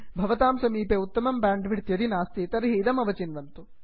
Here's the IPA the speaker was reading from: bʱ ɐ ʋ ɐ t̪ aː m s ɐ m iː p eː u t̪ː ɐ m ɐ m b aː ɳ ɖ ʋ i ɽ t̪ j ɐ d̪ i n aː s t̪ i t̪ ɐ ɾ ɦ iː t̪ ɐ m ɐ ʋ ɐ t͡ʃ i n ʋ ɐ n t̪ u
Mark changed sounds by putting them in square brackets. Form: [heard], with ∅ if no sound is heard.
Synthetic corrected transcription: bʱ ɐ ʋ ɐ t̪ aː m s ɐ m iː p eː u t̪ː ɐ m ɐ m b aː ɳ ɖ ʋ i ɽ t̪ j ɐ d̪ i n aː s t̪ i t̪ ɐ ɾ ɦ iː [d̪] ɐ m ɐ ʋ ɐ t͡ʃ i n ʋ ɐ n t̪ u